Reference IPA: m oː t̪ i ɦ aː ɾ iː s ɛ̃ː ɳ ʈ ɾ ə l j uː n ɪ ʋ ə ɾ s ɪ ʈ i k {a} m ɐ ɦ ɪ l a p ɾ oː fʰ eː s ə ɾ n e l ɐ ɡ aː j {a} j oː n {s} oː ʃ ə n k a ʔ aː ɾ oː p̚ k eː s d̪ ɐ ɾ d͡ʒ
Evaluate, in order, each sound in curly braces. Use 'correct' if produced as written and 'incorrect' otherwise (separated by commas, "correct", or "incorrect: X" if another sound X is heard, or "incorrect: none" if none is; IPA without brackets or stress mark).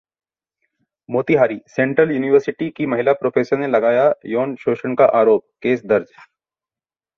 incorrect: i, correct, incorrect: ʃ